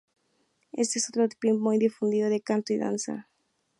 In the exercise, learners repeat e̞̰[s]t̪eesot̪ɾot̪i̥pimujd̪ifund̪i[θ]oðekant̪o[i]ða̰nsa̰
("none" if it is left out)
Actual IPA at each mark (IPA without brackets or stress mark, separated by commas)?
s, ð, i